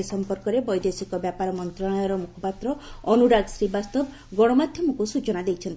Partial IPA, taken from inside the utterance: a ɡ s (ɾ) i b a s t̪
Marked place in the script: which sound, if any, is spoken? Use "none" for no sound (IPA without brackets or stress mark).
ɾ